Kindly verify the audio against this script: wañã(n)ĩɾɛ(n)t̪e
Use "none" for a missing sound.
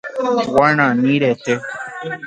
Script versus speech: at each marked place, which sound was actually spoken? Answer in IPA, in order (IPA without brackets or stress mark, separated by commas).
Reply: n, none